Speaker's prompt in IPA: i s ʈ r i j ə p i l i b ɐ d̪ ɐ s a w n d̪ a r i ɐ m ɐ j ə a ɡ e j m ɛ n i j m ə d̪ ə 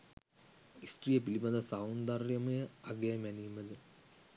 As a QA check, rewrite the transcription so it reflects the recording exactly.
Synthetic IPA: i s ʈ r i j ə p i l i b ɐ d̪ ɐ s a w n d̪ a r j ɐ m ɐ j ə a ɡ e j m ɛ n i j m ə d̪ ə